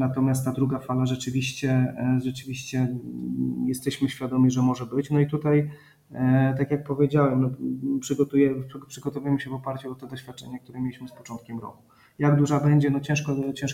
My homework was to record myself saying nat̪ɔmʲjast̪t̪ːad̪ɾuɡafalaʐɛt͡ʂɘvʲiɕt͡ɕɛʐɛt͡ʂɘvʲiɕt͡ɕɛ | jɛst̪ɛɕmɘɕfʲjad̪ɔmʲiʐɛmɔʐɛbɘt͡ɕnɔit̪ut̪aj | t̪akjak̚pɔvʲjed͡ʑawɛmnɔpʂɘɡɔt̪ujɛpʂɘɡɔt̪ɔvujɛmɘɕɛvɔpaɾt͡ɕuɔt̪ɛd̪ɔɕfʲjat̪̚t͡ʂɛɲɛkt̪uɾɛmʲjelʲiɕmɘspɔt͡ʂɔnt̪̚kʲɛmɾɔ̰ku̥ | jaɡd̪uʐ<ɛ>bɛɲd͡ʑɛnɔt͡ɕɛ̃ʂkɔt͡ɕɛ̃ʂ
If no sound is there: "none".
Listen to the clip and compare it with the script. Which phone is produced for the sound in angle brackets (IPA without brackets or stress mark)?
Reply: a